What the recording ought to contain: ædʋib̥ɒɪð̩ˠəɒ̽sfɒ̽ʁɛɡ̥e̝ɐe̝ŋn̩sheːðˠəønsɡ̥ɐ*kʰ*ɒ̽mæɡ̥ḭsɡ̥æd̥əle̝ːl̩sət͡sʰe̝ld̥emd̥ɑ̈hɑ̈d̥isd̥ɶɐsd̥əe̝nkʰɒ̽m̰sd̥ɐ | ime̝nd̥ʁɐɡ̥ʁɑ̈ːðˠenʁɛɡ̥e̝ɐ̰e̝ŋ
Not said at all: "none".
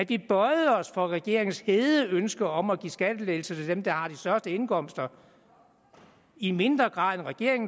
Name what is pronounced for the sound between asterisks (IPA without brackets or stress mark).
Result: none